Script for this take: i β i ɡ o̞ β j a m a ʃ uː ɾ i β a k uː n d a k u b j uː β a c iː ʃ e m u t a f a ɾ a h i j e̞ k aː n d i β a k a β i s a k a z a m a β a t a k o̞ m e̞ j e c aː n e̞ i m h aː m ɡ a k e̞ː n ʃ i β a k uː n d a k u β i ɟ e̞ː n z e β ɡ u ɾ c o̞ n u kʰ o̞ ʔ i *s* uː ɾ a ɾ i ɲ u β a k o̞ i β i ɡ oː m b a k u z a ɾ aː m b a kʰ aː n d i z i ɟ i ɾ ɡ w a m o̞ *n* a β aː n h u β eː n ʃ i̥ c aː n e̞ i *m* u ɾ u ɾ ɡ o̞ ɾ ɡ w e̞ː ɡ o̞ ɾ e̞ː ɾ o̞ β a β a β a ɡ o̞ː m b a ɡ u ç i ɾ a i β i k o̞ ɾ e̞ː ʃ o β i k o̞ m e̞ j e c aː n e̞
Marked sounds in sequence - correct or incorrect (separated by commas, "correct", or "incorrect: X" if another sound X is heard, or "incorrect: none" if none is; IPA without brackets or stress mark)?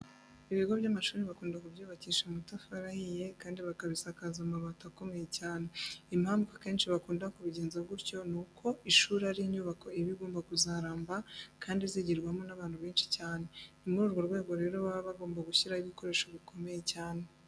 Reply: incorrect: ʃ, correct, correct